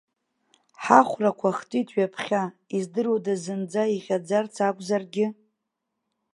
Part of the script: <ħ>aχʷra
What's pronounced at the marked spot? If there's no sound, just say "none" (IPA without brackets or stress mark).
ħ